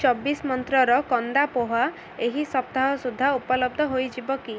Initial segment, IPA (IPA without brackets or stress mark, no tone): t͡ʃ